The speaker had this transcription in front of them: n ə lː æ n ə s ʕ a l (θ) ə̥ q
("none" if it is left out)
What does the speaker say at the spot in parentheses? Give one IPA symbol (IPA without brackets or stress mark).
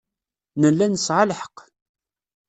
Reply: ħ